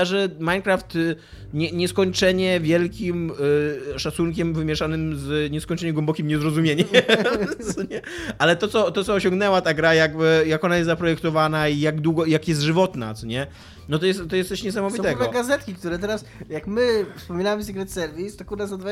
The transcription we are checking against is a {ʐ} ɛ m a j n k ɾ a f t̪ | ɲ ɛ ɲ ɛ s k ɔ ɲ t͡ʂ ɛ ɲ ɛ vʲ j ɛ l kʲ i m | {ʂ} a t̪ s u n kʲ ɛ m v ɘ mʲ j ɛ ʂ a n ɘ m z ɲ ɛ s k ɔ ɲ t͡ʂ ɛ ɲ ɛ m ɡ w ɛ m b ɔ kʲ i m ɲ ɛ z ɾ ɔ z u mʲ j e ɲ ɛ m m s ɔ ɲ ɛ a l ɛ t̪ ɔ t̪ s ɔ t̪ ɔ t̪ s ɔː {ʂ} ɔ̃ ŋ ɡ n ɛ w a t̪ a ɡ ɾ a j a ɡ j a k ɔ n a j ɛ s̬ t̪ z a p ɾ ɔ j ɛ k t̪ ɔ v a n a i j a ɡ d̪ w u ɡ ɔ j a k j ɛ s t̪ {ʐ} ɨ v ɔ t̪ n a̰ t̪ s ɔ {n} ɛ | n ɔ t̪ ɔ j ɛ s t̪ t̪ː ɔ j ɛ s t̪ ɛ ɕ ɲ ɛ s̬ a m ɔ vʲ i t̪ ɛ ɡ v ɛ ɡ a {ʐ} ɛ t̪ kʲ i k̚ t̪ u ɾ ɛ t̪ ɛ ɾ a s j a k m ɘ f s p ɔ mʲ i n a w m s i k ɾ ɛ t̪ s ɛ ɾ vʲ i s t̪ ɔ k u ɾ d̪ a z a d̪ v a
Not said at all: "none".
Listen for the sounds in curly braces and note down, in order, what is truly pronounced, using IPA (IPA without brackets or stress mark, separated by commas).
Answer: ʐ, ʂ, ɕ, ʐ, ɲ, z